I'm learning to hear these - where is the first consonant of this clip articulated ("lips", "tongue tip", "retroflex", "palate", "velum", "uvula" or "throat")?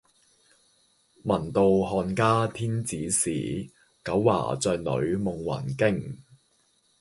lips